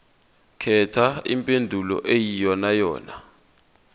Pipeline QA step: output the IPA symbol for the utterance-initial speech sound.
kʰ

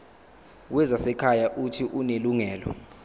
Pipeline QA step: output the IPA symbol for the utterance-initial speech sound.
w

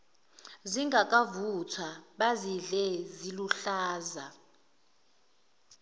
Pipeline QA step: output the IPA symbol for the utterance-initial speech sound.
z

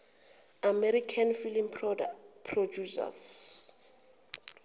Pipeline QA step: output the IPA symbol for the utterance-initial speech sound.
a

